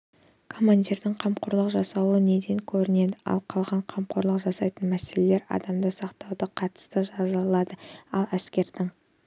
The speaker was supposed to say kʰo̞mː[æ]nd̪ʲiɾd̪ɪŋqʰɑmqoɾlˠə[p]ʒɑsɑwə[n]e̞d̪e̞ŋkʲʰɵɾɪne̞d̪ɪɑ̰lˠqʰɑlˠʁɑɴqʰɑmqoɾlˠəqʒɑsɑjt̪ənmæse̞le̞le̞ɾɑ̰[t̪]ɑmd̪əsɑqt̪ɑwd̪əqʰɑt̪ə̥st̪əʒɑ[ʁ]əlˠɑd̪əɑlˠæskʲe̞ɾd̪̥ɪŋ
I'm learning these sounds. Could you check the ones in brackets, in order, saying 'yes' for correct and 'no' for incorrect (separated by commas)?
no, no, yes, no, no